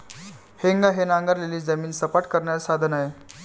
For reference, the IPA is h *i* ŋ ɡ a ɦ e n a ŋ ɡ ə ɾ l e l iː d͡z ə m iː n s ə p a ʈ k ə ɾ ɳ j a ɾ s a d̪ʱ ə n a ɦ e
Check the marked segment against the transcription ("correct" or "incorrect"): incorrect